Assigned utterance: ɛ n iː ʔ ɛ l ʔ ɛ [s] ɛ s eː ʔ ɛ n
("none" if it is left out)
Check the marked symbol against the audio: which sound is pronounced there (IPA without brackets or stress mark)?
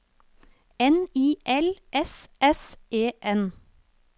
s